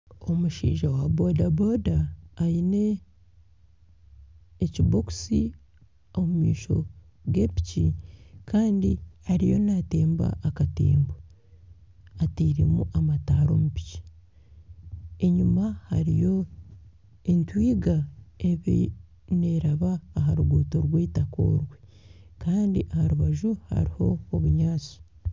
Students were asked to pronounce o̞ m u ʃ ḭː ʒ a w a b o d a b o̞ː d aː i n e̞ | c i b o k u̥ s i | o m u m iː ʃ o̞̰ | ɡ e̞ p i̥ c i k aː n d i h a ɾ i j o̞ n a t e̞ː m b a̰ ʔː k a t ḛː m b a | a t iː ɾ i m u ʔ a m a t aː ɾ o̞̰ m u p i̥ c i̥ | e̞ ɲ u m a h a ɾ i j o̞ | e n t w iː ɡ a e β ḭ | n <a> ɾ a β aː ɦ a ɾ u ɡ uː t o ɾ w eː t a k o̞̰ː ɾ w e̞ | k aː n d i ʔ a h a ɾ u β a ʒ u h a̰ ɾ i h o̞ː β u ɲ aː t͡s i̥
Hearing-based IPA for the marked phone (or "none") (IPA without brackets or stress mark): e